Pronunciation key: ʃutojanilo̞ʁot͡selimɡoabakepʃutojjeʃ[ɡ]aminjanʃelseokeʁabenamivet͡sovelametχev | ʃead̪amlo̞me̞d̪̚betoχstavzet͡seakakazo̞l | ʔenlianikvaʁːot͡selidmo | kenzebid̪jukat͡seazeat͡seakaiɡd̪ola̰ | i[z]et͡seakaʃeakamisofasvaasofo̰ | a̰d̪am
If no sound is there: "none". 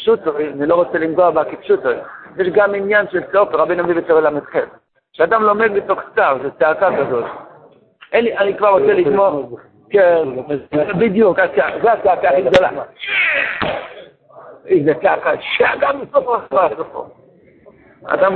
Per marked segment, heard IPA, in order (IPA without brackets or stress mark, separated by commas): ɡ, z